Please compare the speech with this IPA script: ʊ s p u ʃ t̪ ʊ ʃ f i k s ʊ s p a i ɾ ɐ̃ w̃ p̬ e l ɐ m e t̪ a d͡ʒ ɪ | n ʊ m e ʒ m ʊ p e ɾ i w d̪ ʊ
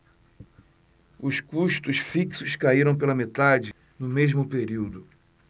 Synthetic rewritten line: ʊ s k u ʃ t̪ ʊ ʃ f i k s ʊ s k a i ɾ ɐ̃ w̃ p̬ e l ɐ m e t̪ a d͡ʒ ɪ | n ʊ m e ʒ m ʊ p e ɾ i w d̪ ʊ